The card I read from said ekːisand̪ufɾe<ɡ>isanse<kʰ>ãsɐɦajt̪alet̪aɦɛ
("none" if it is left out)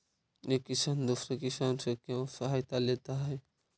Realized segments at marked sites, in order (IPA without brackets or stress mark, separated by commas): k, k